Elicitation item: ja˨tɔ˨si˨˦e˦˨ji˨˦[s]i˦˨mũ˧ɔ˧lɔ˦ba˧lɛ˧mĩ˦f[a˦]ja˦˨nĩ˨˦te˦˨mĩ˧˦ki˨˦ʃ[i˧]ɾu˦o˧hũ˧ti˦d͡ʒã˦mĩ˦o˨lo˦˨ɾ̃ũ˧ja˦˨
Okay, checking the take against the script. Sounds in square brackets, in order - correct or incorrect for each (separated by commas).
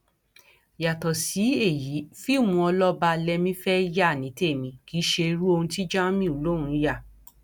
incorrect, incorrect, incorrect